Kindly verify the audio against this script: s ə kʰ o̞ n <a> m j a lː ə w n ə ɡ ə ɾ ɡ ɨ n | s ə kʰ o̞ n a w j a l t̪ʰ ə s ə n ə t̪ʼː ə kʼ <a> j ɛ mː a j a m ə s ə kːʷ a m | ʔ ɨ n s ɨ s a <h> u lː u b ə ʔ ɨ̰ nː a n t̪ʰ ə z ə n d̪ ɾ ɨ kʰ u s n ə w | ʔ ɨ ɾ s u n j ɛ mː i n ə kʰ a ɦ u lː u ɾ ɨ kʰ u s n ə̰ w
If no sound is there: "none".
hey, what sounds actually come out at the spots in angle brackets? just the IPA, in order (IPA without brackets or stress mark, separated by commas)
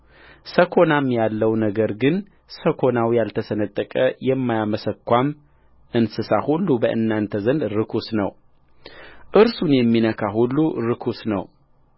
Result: a, ə, h